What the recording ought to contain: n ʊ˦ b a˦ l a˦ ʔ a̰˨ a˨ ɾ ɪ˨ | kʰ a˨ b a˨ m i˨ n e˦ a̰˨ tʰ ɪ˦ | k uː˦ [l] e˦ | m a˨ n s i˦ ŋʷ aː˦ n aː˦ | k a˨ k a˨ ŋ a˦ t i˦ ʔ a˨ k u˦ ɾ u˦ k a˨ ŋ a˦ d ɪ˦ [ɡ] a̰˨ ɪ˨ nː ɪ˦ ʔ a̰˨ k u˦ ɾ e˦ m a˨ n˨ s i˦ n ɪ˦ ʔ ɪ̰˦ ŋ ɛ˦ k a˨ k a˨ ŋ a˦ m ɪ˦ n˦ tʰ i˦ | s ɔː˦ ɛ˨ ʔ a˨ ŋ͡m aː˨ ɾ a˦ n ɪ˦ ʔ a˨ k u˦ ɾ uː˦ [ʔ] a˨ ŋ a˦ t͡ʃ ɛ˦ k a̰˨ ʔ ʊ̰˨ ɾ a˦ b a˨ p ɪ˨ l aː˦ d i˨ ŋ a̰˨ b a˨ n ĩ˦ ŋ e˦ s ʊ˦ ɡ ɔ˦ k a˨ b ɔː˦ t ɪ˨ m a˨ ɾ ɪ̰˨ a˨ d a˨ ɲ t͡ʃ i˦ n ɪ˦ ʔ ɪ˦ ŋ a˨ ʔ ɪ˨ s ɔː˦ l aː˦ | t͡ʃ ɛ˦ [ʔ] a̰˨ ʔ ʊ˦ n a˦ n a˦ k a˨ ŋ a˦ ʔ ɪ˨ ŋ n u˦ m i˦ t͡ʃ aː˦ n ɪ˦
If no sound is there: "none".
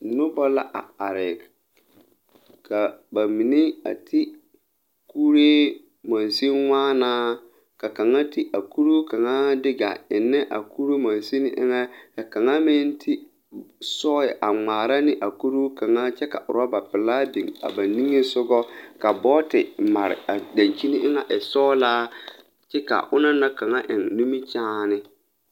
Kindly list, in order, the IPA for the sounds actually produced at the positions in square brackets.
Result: ɾ, ɡ, k, k

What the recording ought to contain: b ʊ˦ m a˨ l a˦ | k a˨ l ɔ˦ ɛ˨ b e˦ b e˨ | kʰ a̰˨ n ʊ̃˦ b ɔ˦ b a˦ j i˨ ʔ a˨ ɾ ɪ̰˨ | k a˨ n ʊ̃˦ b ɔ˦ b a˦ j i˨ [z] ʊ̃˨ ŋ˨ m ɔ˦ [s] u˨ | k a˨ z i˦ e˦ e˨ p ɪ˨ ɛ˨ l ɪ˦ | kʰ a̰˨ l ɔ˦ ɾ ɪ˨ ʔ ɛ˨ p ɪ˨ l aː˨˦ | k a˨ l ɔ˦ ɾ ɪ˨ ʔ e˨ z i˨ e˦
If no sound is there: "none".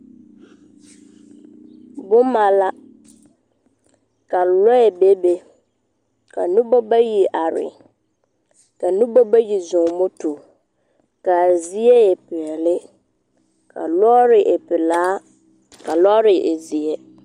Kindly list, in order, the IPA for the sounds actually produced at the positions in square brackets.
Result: z, t

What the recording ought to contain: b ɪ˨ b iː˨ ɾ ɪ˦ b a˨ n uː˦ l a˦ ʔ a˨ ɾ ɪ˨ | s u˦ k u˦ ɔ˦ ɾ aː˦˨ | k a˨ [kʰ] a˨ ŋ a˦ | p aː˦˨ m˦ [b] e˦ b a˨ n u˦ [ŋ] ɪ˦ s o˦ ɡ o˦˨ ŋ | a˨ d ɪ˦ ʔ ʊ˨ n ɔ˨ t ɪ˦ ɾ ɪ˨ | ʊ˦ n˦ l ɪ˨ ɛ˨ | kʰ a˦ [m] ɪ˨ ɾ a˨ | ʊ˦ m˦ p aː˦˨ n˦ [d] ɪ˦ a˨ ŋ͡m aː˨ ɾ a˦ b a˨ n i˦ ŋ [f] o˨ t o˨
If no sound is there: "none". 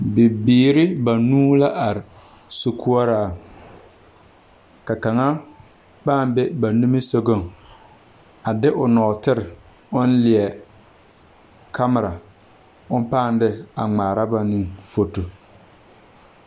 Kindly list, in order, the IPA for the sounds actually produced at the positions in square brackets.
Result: k, b, m, m, d, f

